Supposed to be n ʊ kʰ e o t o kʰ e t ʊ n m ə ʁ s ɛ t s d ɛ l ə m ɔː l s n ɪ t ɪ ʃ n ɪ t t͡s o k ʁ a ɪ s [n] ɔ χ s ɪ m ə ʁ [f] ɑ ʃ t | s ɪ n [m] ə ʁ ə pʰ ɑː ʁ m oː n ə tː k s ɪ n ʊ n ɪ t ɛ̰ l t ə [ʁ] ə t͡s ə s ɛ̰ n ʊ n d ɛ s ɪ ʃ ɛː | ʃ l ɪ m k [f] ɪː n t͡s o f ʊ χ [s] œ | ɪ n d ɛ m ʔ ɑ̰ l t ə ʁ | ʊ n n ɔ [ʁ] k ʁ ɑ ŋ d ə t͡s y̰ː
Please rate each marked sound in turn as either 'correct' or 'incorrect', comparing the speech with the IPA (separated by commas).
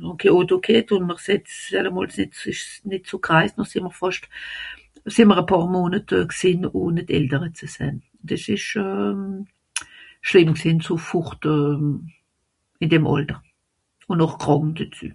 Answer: correct, correct, correct, correct, incorrect, incorrect, incorrect